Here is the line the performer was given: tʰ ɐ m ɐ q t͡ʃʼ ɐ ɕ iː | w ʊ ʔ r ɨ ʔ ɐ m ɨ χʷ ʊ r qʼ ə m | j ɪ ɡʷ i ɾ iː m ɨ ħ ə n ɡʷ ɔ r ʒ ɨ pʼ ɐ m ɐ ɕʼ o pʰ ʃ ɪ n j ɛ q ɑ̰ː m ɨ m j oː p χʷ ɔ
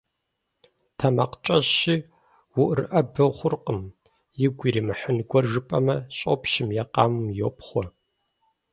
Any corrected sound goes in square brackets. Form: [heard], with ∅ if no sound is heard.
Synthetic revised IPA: tʰ ɐ m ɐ q t͡ʃʼ ɐ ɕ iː | w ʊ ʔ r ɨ ʔ ɐ [b] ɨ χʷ ʊ r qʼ ə m | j ɪ ɡʷ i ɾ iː m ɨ ħ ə n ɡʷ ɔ r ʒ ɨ pʼ ɐ m ɐ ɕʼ o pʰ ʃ ɪ [m] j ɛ q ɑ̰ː m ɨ m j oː p χʷ ɔ